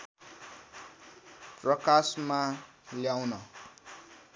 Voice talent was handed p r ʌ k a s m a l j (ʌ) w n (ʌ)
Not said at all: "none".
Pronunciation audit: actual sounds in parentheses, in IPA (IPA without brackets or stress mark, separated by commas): a, ʌ